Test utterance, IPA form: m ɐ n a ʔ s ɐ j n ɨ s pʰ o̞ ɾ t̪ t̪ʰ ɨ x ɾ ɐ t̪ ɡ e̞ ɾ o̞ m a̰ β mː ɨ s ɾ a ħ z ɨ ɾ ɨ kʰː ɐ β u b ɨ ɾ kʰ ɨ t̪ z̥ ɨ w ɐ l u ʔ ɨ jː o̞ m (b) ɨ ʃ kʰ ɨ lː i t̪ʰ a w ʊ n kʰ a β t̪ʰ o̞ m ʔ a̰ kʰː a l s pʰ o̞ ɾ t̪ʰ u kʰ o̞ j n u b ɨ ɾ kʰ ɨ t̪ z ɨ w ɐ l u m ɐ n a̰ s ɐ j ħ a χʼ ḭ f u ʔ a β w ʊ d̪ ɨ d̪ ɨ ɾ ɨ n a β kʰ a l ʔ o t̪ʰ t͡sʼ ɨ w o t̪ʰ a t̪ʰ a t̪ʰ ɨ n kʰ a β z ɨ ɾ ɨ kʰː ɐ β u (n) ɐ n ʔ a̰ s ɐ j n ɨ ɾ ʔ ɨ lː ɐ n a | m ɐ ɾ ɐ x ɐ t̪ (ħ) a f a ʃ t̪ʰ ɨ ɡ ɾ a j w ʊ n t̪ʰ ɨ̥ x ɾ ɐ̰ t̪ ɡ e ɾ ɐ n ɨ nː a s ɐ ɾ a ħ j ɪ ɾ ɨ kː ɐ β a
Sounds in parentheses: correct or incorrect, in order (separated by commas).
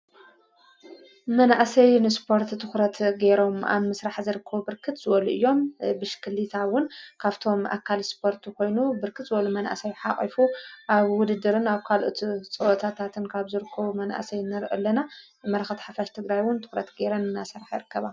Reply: correct, incorrect, correct